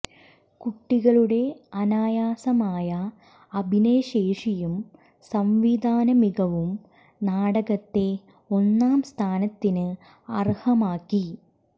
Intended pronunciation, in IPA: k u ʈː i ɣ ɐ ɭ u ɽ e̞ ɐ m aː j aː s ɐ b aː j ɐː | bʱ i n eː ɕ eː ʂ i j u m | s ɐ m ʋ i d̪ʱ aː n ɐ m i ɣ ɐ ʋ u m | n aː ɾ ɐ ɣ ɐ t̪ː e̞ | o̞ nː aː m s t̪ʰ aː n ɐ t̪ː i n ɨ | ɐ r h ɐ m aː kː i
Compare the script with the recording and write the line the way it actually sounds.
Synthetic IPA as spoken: k u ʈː i ɣ ɐ ɭ u ɽ e̞ ɐ n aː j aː s ɐ m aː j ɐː | bʱ i n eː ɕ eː ʂ i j u m | s ɐ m ʋ i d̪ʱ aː n ɐ m i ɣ ɐ ʋ u m | n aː ɽ ɐ ɣ ɐ t̪ː e̞ | o̞ nː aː m s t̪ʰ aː n ɐ t̪ː i n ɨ | ɐ r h ɐ m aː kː i